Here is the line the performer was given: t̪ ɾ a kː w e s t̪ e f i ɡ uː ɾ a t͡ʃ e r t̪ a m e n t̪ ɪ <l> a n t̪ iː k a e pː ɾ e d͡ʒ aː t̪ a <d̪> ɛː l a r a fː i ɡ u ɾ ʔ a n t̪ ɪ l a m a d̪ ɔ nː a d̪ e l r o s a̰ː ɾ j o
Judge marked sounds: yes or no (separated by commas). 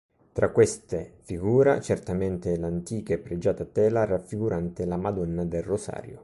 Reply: yes, no